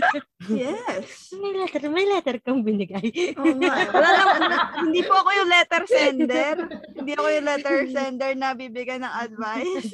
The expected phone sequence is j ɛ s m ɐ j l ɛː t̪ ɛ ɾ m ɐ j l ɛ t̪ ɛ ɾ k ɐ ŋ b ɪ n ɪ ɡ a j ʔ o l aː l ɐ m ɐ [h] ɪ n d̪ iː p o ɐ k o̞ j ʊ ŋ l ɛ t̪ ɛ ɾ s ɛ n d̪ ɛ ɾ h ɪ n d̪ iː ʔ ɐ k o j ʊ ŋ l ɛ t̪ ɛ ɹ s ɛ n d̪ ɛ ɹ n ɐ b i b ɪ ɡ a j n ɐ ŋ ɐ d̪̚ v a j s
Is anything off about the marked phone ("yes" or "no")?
no